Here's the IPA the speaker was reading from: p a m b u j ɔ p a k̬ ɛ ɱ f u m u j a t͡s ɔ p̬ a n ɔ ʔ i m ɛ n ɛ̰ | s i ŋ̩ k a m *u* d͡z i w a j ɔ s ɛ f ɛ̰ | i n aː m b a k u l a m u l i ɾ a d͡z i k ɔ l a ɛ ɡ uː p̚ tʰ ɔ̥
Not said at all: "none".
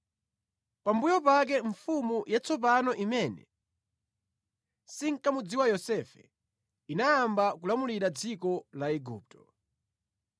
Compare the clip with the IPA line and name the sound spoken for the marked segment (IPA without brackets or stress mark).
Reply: u